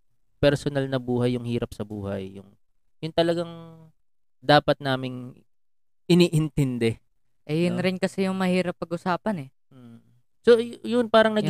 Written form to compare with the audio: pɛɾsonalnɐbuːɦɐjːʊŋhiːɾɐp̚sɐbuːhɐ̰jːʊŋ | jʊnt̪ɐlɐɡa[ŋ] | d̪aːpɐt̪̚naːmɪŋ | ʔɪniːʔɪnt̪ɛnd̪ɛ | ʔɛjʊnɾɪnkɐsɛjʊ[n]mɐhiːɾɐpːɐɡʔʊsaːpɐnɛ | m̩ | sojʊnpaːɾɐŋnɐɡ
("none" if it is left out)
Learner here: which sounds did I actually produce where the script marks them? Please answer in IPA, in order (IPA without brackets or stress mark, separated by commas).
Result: ŋ, ŋ